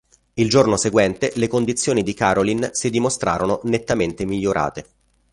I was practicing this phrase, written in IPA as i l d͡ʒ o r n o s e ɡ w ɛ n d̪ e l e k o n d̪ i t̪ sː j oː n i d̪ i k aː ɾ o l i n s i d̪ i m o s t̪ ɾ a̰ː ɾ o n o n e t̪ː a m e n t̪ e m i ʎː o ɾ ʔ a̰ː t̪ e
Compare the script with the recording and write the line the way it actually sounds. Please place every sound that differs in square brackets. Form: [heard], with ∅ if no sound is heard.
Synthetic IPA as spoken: i l d͡ʒ o r n o s e ɡ w ɛ n [t̪] e l e k o n d̪ i t̪ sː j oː n i d̪ i k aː ɾ o l i n s i d̪ i m o s t̪ ɾ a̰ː ɾ o n o n e t̪ː a m e n t̪ e m i ʎː o ɾ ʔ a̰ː t̪ e